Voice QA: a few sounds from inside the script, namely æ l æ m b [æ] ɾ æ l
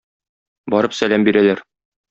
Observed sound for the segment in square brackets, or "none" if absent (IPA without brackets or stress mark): i